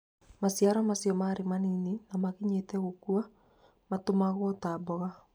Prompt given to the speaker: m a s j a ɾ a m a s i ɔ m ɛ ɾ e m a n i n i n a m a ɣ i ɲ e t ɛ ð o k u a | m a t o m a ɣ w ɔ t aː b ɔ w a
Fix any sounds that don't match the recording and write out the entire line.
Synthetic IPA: m a s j a ɾ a m a s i ɔ m a ɾ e m a n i n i n a m a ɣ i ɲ e t ɛ ɣ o k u a | m a t o m a ɣ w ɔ t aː b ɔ ɣ a

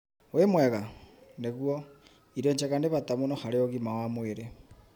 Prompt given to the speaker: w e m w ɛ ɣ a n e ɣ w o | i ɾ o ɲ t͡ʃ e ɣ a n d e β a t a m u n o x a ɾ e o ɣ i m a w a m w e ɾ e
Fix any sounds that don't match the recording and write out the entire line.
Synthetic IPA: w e m w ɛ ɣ a n e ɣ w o | i ɾ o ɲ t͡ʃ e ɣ a n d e β a t a m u n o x a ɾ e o ɣ i m a w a m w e ɾ e

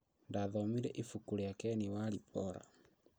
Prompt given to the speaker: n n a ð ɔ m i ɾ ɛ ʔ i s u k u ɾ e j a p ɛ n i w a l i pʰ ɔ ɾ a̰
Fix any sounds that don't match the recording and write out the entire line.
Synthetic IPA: n d a ð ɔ m i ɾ ɛ ʔ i f u k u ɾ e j a k ɛ n i w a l i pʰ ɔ ɾ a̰

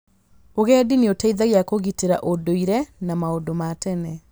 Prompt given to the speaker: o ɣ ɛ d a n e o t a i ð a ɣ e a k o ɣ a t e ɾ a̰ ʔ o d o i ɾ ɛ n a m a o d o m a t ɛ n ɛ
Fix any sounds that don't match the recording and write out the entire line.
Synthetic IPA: o ɣ ɛ d i n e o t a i ð a ɣ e a k o ɣ i t e ɾ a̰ ʔ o d o i ɾ ɛ n a m a o d o m a t ɛ n ɛ

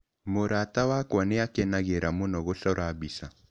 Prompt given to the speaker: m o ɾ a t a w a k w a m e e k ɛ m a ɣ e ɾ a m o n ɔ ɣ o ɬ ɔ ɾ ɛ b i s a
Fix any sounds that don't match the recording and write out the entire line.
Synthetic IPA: m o ɾ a t a w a k w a n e a k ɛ n a ɣ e ɾ a m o n ɔ ɣ o ɬ ɔ ɾ a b i s a

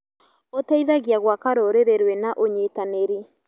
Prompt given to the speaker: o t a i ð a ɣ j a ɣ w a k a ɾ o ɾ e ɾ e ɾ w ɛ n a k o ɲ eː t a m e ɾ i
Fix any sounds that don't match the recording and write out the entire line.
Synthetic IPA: o t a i ð a ɣ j a ɣ w a k a ɾ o ɾ e ɾ e ɾ w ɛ n a ʔ o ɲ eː t a n e ɾ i

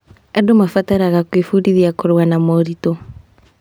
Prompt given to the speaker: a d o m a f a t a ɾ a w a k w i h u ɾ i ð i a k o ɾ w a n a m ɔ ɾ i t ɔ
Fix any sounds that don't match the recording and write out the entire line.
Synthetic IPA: a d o m a f a t a ɾ a ɣ a k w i f u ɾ i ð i a k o ɾ w a n a m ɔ ɾ i t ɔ

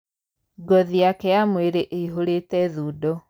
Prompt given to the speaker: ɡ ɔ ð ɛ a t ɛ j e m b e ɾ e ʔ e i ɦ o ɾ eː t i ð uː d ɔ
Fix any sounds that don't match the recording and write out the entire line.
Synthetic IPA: ɡ ɔ ð i a k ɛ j a m w e ɾ e ʔ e i ɦ o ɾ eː t ɛ ð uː d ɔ

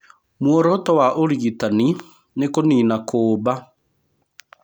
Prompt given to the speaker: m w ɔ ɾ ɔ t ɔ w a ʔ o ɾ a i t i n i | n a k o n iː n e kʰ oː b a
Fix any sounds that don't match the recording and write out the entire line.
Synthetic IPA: m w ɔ ɾ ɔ t ɔ w a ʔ o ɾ i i t a n i | n e k o n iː n a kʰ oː b a

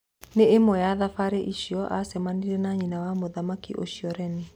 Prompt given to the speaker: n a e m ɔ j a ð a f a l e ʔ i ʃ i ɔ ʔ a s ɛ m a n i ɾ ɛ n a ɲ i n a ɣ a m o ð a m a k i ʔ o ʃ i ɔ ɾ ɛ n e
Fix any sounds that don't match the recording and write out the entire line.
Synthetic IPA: n e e m ɔ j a ð a f a ɾ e ʔ i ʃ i ɔ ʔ a s ɛ m a n i ɾ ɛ n a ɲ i n a w a m o ð a m a k i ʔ o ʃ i ɔ ɾ ɛ n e

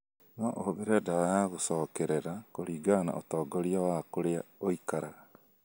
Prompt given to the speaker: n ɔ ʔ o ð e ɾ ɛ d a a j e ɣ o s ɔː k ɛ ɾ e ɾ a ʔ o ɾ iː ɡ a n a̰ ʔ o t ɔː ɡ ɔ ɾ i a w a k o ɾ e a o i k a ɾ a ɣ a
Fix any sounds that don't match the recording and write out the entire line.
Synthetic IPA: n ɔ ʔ o ð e ɾ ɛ d a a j a ɣ o s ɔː k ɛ ɾ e ɾ a k o ɾ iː ɡ a n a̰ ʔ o t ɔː ɡ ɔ ɾ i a w a k o ɾ e a o i k a ɾ a ɣ a

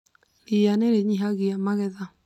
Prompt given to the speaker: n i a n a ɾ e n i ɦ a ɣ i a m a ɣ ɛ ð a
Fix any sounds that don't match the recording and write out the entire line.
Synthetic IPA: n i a n e ɾ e ɲ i ɦ a ɣ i a m a ɣ ɛ ð a

